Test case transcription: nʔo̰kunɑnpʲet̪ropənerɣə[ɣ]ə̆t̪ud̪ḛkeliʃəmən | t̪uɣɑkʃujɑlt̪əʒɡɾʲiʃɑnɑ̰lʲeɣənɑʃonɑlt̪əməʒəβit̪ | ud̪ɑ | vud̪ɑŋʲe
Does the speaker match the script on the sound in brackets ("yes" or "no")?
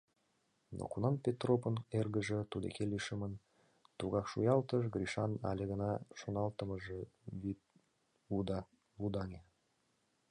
no